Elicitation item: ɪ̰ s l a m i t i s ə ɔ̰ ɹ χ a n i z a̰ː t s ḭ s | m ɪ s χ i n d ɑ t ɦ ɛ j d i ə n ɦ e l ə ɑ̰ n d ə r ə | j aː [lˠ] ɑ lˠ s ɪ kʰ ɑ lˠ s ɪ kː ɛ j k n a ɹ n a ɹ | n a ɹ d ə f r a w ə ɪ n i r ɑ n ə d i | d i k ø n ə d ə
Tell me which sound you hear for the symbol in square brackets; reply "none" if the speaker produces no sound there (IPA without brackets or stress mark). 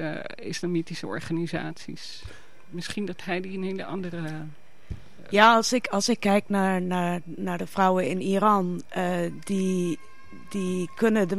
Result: none